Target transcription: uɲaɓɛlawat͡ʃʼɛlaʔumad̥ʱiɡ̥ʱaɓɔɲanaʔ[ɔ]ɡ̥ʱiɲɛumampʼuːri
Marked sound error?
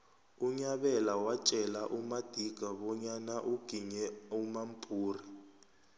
yes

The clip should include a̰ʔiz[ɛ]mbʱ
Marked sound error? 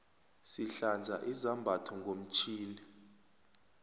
yes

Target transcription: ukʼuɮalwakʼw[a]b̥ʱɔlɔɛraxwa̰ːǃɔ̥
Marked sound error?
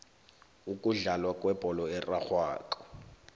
yes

